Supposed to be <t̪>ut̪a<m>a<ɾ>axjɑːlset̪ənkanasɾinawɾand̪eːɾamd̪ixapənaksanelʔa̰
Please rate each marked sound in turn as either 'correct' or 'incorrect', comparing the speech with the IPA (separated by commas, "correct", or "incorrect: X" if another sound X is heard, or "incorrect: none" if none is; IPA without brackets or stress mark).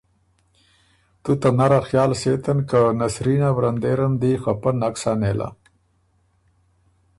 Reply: correct, incorrect: n, correct